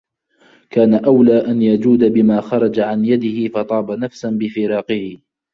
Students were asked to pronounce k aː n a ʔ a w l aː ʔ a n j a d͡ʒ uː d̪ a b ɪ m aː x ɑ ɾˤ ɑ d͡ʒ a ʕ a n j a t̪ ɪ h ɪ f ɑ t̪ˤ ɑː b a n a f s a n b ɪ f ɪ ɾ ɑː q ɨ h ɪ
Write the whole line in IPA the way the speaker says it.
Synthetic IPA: k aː n a ʔ a w l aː ʔ a n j a d͡ʒ uː d̪ a b ɪ m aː x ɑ ɾˤ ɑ d͡ʒ a ʕ a n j a d̪ ɪ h ɪ f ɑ t̪ˤ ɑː b a n a f s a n b ɪ f ɪ ɾ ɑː q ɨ h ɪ